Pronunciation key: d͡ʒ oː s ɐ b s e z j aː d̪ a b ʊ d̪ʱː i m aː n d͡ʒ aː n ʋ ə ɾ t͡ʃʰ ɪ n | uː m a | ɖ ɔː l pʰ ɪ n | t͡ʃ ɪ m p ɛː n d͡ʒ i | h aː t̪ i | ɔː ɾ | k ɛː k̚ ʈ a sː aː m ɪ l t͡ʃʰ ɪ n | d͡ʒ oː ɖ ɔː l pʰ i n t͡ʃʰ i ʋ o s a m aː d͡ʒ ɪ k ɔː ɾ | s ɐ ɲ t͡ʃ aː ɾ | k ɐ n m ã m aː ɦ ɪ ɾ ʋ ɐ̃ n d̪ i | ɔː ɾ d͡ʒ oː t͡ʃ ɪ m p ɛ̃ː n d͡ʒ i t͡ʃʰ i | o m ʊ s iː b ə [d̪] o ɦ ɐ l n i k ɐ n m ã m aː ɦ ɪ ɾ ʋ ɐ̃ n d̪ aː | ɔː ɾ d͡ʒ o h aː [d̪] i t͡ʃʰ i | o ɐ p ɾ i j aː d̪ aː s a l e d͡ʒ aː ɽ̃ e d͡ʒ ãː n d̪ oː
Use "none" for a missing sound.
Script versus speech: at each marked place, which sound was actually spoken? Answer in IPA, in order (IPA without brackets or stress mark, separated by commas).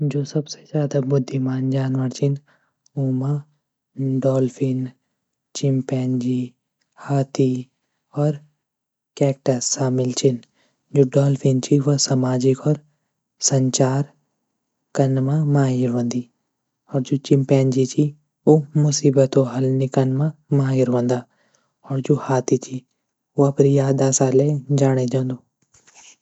t̪, t̪